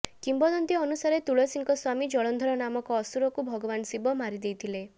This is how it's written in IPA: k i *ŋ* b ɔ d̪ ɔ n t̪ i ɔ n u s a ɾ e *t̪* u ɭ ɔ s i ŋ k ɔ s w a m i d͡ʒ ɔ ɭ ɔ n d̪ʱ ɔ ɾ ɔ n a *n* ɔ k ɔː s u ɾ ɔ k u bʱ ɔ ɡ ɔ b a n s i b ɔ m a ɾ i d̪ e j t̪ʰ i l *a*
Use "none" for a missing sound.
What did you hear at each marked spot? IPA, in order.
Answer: m, t̪, m, e

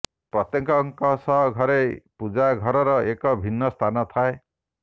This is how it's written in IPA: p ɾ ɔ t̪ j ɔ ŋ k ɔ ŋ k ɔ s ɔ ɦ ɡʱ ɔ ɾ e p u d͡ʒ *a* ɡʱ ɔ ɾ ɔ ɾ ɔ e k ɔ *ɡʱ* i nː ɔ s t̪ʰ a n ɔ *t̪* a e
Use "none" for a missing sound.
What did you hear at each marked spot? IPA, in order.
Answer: a, bʱ, t̪ʰ

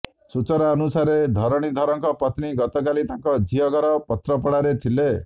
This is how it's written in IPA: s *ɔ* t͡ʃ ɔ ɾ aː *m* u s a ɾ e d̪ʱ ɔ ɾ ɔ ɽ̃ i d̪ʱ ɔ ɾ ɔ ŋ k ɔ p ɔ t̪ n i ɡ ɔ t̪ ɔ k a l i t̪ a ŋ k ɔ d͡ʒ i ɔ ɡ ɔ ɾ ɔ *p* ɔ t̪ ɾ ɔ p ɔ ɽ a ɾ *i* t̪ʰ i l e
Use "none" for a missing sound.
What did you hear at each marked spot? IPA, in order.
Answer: u, n, p, e

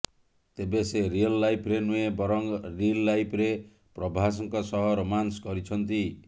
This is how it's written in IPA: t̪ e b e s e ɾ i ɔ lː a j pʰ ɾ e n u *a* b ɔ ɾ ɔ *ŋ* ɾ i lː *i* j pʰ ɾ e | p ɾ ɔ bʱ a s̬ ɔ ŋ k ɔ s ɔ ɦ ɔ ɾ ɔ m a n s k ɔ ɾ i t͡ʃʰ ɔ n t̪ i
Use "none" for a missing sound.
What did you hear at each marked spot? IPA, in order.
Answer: e, ŋ, a

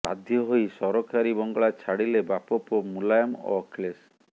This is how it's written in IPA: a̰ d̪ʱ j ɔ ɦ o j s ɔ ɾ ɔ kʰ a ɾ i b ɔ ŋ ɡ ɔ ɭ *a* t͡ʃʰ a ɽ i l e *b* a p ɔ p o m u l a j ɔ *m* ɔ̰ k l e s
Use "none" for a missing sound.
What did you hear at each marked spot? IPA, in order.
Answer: a, b, m

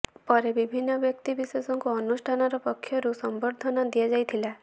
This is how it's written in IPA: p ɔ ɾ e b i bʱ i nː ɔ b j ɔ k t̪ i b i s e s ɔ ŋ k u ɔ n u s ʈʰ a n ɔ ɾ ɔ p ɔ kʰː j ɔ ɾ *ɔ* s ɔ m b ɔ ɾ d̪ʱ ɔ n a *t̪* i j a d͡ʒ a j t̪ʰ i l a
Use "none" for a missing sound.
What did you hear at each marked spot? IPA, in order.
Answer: u, d̪

